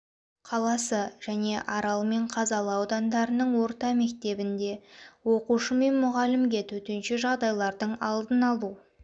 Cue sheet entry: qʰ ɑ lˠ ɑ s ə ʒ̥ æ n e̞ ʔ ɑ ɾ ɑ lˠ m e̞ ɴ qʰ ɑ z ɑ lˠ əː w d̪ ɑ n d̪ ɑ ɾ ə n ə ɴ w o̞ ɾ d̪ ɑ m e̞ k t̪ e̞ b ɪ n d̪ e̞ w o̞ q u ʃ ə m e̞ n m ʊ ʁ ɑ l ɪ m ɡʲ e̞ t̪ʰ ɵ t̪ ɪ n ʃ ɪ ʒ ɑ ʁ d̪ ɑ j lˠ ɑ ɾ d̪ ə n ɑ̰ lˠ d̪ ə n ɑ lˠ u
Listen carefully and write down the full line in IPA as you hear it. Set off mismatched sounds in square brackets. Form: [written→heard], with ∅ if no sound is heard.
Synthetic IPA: qʰ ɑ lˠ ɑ s ə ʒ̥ æ n e̞ ʔ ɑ ɾ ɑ lˠ m e̞ ɴ qʰ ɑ z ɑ lˠ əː w d̪ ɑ n d̪ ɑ ɾ ə n ə ɴ w o̞ ɾ [d̪→t̪] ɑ m e̞ k t̪ e̞ b ɪ n d̪ e̞ w o̞ q u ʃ ə m e̞ n m ʊ ʁ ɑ l ɪ m ɡʲ e̞ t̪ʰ ɵ t̪ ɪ n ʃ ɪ ʒ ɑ ʁ d̪ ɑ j lˠ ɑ ɾ d̪ ə [n→ɴ] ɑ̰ lˠ d̪ ə n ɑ lˠ u